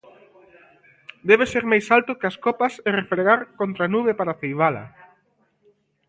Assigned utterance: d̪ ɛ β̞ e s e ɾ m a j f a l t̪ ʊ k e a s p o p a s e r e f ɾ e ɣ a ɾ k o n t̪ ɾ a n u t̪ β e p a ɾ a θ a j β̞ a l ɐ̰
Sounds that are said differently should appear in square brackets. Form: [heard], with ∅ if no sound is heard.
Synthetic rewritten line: d̪ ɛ β̞ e s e ɾ m a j [s] a l t̪ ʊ k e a s [k] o p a s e r e f ɾ e ɣ a ɾ k o n t̪ ɾ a n u [∅] β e p a ɾ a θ [e] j β̞ a l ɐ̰